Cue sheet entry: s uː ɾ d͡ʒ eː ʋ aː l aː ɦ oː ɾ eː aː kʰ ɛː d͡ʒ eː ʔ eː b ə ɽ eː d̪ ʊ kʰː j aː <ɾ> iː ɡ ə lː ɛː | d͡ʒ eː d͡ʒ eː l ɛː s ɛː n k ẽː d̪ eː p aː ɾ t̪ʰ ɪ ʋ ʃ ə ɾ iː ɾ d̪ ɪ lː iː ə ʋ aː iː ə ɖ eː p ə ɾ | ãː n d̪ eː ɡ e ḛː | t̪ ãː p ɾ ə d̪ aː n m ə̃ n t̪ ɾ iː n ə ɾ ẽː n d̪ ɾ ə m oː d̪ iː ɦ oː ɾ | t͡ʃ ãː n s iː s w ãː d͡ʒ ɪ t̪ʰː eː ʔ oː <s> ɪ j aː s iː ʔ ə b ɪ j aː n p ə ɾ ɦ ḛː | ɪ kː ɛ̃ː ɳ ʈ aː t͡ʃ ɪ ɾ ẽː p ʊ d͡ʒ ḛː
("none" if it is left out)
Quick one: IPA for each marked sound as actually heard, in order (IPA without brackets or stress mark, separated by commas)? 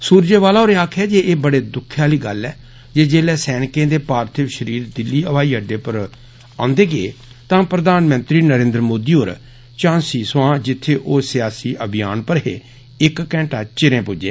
l, s